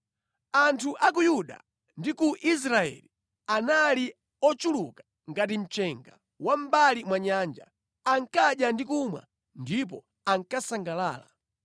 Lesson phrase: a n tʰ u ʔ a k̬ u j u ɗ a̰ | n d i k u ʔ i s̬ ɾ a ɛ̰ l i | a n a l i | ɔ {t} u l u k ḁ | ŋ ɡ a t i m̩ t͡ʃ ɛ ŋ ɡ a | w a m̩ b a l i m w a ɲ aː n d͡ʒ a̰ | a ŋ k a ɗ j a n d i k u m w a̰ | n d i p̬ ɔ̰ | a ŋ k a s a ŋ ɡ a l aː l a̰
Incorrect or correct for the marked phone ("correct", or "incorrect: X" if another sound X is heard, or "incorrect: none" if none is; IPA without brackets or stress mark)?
incorrect: t͡ʃ